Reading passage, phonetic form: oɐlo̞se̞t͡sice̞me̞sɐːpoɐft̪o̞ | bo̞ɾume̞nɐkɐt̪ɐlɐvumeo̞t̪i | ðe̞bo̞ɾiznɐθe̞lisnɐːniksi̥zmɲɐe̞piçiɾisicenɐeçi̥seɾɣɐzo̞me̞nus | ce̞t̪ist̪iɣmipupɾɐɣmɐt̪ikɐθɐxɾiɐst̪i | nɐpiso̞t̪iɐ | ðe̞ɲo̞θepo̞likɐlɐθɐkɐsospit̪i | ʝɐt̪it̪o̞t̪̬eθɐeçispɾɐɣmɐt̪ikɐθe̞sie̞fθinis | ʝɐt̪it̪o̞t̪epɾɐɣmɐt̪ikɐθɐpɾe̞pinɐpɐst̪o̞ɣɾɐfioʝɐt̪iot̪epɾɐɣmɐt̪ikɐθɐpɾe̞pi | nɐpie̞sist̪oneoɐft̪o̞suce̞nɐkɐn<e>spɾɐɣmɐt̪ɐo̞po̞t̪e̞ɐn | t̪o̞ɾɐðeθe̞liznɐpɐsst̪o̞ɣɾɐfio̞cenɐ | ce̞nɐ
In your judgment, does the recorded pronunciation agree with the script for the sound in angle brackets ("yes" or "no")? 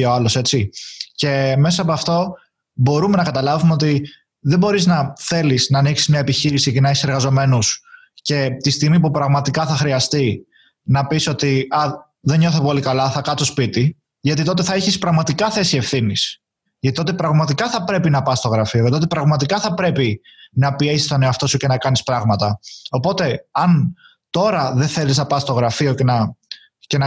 no